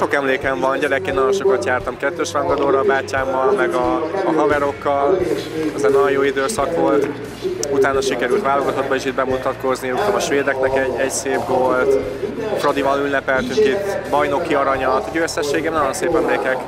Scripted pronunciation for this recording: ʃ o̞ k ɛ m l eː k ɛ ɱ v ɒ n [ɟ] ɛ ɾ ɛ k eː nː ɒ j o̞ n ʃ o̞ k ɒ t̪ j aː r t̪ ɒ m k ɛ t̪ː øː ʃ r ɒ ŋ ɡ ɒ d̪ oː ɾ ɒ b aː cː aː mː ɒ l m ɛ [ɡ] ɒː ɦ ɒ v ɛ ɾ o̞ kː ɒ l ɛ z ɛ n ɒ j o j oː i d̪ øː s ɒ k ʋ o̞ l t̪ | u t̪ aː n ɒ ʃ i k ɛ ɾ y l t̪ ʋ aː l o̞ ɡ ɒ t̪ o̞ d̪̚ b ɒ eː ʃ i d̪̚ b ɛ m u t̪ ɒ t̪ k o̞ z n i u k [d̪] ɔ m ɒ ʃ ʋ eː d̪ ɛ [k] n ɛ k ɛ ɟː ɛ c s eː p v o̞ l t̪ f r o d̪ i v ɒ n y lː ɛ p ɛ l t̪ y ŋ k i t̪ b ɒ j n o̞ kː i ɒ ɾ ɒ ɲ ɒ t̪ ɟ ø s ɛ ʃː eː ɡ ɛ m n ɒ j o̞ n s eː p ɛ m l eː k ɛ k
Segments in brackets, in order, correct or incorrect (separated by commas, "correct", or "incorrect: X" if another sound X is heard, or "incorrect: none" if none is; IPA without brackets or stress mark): correct, correct, incorrect: t̪, correct